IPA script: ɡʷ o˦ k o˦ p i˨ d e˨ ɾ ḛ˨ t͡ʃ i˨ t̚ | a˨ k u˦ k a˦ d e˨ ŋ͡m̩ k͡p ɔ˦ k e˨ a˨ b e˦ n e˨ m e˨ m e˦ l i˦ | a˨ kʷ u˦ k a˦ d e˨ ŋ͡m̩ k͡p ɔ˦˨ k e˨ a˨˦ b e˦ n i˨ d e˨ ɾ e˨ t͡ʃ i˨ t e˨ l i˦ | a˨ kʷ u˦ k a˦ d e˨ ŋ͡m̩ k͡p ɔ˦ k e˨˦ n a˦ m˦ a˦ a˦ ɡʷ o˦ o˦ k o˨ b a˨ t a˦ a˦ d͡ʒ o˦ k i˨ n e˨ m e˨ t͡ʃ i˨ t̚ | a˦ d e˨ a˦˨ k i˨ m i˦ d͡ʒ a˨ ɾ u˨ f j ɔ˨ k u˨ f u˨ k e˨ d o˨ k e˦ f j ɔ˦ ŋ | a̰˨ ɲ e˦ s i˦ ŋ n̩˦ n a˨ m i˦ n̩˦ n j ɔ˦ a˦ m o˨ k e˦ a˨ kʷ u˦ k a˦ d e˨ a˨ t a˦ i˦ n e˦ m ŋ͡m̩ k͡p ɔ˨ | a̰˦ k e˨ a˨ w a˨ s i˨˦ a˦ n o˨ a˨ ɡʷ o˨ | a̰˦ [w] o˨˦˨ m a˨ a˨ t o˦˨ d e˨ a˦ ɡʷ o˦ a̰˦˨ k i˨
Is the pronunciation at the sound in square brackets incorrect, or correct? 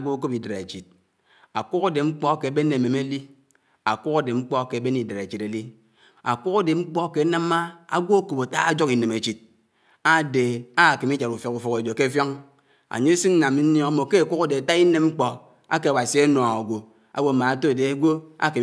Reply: correct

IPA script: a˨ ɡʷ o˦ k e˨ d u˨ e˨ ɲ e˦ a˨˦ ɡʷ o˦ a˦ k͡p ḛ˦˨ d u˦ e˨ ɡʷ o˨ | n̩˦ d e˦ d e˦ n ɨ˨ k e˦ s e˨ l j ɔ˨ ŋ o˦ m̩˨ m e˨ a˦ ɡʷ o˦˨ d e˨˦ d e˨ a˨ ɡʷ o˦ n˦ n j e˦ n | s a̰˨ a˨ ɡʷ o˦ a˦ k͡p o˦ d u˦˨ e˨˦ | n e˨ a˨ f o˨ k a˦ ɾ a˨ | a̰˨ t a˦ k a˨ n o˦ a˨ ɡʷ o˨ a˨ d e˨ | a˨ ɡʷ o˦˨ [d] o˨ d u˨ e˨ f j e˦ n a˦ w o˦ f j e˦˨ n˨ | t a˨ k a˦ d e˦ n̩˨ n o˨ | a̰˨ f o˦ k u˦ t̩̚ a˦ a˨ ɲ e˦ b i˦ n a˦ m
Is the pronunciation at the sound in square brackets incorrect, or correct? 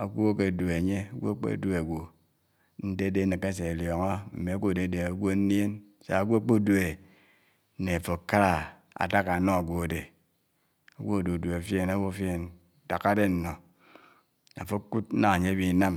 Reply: correct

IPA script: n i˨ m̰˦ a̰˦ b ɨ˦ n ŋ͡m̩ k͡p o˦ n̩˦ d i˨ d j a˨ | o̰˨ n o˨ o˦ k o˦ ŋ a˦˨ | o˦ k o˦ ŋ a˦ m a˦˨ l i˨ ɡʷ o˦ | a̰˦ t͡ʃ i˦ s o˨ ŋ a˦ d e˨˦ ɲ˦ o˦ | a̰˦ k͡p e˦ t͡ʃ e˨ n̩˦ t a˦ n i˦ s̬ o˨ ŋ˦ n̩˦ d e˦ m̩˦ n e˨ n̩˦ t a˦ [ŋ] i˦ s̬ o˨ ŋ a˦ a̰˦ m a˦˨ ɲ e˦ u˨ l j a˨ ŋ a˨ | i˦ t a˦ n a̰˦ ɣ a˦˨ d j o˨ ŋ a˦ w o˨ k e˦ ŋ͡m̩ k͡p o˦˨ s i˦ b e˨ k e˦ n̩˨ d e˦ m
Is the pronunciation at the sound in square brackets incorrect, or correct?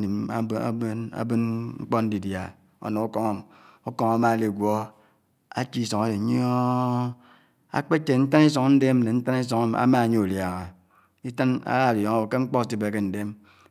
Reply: incorrect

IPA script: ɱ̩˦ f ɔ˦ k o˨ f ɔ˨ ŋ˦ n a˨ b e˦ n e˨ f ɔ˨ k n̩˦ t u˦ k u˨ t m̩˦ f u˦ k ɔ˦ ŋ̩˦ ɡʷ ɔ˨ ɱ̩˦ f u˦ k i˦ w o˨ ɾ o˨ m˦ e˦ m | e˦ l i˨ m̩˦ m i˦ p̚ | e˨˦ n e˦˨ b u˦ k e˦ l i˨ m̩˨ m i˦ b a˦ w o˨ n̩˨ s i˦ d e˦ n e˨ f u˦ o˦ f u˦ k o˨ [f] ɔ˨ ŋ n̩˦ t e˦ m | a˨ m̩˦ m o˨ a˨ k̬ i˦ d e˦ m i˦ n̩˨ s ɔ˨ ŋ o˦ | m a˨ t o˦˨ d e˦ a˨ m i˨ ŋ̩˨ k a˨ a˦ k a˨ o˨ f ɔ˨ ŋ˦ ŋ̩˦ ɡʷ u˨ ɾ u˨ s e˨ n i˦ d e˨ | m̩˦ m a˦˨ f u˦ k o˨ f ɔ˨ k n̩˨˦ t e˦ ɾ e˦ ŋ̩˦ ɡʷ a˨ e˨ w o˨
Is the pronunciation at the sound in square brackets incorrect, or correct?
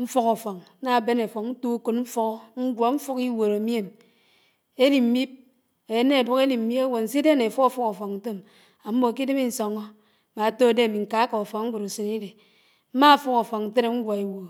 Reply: correct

